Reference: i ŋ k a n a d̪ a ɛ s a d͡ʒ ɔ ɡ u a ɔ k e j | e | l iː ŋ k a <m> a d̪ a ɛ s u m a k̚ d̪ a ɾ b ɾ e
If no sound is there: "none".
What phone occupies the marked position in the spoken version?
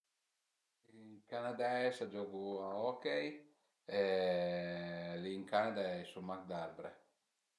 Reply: n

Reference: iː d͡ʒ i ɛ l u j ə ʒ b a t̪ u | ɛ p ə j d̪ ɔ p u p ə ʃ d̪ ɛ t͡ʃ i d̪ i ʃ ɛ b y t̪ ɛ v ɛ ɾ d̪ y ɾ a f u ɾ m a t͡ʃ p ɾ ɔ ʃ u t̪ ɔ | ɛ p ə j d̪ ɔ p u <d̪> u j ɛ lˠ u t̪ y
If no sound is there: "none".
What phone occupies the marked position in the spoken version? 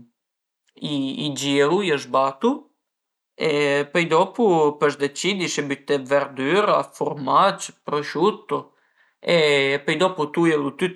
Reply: t̪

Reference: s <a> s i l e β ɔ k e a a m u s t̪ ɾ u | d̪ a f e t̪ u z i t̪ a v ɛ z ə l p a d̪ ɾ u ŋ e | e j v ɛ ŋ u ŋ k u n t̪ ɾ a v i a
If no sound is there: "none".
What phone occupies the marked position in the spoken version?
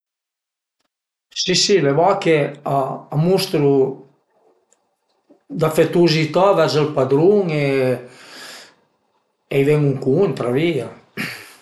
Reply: i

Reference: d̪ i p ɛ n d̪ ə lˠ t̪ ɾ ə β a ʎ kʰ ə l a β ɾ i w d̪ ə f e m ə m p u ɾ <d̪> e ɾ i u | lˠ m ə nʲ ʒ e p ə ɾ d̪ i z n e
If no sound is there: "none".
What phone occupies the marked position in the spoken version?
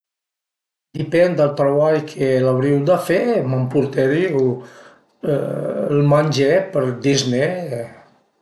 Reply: t̪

